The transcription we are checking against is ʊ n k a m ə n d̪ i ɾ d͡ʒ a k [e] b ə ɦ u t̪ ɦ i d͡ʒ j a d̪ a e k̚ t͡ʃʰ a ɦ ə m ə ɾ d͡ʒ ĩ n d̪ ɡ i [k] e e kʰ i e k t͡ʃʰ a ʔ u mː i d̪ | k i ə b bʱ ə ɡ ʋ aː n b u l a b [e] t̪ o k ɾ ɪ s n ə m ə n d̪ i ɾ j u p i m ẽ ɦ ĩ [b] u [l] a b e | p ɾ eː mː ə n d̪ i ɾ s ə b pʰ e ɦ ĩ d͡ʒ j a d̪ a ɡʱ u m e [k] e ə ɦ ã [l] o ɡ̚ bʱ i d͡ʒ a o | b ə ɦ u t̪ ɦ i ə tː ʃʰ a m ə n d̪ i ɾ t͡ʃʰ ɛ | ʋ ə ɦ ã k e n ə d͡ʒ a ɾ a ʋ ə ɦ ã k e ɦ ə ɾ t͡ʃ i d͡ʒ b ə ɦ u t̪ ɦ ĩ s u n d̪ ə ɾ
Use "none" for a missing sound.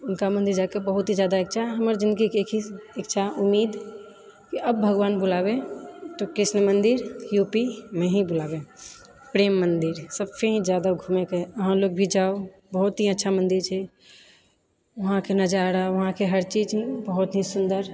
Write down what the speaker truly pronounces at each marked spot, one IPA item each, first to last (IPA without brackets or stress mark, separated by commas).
e, k, e, b, l, k, l